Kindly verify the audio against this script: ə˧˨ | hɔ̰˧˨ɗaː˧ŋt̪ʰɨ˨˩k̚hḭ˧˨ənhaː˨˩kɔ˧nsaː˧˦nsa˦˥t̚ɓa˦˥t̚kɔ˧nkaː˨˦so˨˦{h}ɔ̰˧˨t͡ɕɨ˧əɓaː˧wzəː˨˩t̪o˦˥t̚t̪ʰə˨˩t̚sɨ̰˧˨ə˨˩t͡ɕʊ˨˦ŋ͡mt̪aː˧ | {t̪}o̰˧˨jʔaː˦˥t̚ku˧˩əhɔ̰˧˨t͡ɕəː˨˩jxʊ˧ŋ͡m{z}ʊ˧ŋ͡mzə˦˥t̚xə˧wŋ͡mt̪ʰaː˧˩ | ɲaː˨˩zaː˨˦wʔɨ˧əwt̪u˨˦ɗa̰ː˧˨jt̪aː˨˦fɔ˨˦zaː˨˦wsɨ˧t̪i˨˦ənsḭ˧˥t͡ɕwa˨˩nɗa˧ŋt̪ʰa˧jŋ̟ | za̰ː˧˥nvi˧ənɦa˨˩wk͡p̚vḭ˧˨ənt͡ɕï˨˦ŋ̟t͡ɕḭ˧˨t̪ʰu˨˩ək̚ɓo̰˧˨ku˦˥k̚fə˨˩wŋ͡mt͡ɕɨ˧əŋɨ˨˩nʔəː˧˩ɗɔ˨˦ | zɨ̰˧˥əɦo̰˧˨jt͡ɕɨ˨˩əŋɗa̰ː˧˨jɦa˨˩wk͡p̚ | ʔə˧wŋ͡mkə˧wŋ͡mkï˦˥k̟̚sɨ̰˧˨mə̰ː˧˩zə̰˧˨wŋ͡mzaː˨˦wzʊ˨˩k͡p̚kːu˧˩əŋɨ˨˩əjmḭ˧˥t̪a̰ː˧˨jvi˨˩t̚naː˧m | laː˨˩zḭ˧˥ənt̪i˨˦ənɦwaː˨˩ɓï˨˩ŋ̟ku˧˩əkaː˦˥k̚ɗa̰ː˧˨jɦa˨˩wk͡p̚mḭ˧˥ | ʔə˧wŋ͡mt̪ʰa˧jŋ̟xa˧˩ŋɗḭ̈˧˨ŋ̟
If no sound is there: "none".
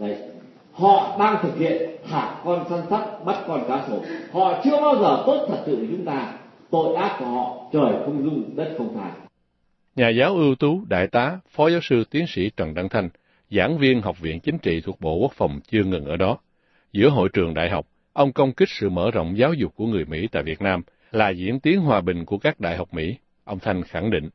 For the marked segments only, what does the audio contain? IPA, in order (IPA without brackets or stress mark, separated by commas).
h, t̪, z